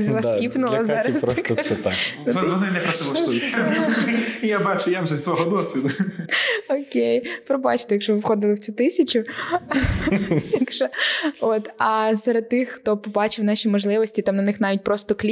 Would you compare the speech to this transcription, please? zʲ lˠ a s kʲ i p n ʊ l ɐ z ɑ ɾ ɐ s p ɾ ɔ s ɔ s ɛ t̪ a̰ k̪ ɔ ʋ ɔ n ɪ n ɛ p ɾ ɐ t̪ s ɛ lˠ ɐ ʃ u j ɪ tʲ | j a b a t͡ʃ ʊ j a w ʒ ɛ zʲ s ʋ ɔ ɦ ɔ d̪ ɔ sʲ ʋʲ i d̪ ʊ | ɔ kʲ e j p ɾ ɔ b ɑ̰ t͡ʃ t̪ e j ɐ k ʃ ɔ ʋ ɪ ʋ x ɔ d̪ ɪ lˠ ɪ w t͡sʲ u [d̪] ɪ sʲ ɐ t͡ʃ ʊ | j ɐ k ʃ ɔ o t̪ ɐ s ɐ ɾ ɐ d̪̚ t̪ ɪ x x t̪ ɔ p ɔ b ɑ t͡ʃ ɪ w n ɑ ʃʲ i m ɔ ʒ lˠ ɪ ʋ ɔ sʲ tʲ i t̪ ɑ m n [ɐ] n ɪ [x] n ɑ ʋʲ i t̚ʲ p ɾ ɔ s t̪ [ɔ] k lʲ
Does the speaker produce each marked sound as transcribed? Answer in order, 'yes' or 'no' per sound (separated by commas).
no, yes, yes, yes